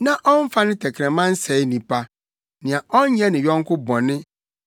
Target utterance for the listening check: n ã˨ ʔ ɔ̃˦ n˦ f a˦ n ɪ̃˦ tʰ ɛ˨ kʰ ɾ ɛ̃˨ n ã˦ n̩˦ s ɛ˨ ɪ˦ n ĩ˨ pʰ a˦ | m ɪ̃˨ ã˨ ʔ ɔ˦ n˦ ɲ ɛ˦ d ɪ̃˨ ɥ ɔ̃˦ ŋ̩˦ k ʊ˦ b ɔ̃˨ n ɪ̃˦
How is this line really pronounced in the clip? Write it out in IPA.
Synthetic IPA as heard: n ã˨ ʔ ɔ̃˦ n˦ f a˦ n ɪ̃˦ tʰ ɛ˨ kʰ ɾ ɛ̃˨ m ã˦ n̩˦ s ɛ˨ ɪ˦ n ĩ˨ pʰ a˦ | n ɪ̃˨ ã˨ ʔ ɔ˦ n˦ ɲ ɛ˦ n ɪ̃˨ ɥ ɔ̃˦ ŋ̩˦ k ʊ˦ b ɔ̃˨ n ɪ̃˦